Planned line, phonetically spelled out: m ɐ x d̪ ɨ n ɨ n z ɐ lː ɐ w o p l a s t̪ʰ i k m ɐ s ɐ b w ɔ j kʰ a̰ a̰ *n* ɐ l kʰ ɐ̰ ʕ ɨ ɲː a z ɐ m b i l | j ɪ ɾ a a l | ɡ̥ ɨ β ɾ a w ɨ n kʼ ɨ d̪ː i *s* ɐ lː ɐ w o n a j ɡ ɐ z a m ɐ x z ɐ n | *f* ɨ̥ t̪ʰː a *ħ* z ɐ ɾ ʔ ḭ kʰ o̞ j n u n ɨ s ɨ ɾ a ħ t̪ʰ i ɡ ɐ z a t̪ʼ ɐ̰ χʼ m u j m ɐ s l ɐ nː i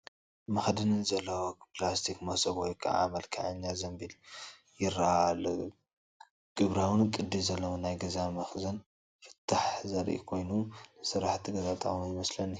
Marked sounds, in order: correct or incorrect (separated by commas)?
incorrect, incorrect, correct, correct